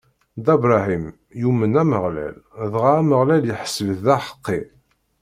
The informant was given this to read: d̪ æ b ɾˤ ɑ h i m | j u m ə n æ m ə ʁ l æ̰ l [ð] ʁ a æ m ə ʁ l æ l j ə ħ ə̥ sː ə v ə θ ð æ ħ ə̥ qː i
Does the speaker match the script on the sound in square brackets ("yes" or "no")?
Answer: yes